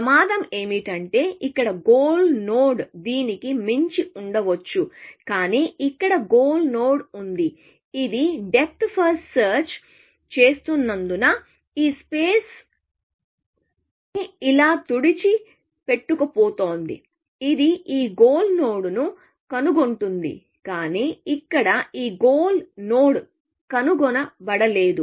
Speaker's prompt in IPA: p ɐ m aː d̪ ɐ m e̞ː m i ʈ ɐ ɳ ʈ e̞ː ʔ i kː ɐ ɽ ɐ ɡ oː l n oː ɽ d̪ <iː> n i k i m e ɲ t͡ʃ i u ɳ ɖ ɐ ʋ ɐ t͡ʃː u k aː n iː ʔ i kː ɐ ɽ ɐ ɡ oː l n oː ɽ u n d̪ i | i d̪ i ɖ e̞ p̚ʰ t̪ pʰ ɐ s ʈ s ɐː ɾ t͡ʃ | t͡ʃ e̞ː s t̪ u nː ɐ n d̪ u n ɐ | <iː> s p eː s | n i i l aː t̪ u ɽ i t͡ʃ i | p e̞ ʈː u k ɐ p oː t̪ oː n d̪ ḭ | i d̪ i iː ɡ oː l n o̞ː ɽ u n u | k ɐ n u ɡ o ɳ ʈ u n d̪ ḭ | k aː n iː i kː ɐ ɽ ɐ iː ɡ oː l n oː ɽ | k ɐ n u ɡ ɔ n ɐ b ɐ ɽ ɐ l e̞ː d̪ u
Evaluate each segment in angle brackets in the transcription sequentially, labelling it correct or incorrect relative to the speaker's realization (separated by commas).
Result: correct, correct